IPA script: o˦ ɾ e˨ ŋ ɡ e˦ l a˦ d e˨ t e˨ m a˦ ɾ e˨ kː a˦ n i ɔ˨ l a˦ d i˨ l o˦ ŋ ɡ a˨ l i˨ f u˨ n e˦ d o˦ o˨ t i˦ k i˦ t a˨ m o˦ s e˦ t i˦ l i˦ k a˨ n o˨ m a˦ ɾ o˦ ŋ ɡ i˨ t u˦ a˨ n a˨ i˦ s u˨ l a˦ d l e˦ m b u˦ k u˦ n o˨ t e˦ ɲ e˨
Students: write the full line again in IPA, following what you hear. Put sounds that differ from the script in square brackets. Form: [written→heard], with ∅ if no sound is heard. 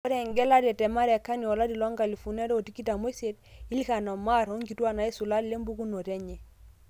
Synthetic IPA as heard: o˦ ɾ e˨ ŋ ɡ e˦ l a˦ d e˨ t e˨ m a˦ ɾ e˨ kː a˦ n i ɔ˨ l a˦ d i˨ l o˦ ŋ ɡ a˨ l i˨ f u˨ n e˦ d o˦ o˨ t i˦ k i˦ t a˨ m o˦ s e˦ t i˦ l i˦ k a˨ n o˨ m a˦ ɾ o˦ ŋ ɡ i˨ t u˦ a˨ n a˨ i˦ s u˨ l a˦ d l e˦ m b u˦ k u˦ n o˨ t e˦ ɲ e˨